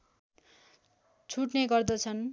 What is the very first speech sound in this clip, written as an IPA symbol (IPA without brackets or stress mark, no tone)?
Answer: t͡sʰ